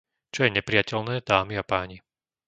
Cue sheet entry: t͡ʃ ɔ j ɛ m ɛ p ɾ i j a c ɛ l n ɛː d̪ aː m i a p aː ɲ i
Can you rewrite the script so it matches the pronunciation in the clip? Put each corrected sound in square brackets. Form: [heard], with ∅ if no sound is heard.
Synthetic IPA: t͡ʃ ɔ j ɛ [ɲ] ɛ p ɾ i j a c ɛ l n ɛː d̪ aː m i a p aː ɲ i